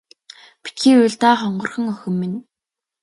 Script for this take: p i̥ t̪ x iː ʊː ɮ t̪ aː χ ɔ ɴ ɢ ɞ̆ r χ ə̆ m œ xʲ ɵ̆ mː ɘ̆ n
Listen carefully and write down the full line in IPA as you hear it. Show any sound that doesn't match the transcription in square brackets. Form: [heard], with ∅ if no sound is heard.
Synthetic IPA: p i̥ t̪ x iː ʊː ɮ t̪ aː χ ɔ ɴ ɢ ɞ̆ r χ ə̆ [ŋ] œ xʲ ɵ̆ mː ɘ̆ n